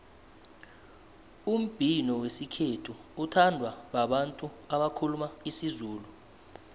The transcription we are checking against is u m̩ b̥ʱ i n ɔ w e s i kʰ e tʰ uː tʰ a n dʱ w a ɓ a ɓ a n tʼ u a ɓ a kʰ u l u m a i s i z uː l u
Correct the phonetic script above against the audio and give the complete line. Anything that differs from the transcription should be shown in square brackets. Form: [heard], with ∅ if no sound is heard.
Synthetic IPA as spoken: u m̩ b̥ʱ i n ɔ w e s i kʰ e tʰ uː tʰ a n dʱ w a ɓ a ɓ a n tʼ u a ɓ a kʰ u l u m a i s i z uː l u